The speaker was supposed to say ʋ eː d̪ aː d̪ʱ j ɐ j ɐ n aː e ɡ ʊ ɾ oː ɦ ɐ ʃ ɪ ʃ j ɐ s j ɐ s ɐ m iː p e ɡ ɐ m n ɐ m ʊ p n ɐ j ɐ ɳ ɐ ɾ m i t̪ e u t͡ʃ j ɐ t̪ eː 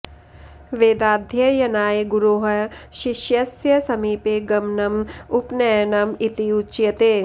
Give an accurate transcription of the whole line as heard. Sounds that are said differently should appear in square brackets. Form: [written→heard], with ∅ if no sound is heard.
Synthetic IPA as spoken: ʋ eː d̪ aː d̪ʱ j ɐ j ɐ n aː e ɡ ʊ ɾ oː ɦ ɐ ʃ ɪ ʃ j ɐ s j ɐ s ɐ m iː p e ɡ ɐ m n ɐ m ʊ p n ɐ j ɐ [ɳ→n] ɐ [ɾ→∅] m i t̪ [e→i] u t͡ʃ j ɐ t̪ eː